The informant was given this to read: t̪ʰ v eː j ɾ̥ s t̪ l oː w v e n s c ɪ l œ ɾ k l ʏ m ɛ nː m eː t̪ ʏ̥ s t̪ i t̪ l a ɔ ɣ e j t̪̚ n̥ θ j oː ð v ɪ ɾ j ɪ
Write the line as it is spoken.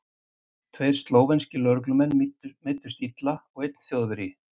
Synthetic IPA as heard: t̪ʰ v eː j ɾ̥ s t̪ l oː w v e n s c ɪ l œ ɾ k l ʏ m ɛ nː m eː t̪ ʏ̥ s t̪ i t̪ l a ɔ ɣ e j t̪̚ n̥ θ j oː ð v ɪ ɾ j ɪ